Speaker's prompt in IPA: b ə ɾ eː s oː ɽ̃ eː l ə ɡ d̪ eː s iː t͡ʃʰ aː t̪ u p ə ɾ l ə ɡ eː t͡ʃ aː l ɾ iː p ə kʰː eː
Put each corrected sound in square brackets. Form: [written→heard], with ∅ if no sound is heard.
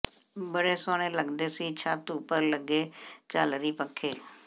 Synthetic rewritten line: b ə [ɾ→ɽ] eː s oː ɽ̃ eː l ə ɡ d̪ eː s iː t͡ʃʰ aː t̪ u p ə ɾ l ə ɡ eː t͡ʃ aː l ɾ iː p ə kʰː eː